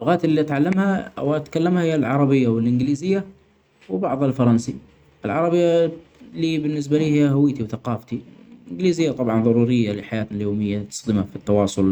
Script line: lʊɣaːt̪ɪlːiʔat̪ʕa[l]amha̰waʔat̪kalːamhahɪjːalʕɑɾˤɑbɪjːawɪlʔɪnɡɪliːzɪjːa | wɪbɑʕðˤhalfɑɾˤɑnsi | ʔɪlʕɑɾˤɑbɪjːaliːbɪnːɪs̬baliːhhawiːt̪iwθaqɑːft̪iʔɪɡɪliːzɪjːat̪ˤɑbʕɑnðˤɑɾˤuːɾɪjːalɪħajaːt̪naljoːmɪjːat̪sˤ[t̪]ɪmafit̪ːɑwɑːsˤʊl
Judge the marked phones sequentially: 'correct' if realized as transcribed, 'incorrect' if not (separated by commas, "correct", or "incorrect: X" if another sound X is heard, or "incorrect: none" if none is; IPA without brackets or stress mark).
incorrect: lː, incorrect: d̪